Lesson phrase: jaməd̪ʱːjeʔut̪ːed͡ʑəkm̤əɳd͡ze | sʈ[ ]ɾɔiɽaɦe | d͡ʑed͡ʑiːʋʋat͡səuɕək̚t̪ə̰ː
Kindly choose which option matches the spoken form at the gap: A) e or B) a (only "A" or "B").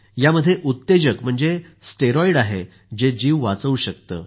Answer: A